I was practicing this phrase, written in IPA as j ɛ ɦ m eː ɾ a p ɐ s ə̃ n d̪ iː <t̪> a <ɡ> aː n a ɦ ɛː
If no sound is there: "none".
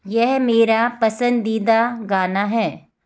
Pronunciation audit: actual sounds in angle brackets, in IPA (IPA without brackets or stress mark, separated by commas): d̪, ɡ